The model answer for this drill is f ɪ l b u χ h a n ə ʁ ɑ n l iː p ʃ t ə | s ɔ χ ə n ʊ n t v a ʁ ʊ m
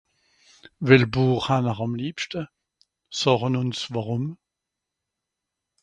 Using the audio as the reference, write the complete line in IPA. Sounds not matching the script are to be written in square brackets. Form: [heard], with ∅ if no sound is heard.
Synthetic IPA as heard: [v] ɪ l b [uː] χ h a n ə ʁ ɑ [m] l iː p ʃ t ə | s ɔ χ ə n ʊ n [s] v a ʁ ʊ m